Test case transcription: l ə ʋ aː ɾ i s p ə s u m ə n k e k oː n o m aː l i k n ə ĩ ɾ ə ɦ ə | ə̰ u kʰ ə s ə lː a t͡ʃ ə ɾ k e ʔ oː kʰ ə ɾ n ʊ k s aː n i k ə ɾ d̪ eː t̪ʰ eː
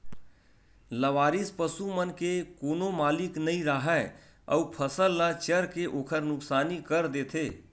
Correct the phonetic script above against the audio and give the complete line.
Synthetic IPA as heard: l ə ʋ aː ɾ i s p ə s u m ə n k e k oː n o m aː l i k n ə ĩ ɾ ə ɦ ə | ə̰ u pʰ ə s ə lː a t͡ʃ ə ɾ k e ʔ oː kʰ ə ɾ n ʊ k s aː n i k ə ɾ d̪ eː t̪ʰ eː